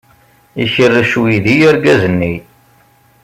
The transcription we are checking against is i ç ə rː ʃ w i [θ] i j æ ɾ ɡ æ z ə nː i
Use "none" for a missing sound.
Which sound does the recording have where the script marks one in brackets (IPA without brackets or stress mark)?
ð